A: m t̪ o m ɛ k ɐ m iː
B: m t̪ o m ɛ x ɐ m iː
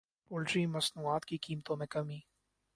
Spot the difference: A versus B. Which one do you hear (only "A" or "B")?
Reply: A